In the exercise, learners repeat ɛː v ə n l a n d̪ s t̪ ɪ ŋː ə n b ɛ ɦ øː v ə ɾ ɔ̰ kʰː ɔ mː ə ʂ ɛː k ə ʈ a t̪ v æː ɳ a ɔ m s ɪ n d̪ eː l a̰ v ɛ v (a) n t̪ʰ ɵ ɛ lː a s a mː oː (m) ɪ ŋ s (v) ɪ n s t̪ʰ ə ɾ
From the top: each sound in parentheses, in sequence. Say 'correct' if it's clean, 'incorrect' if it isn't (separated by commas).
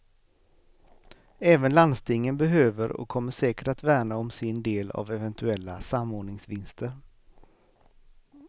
incorrect, incorrect, correct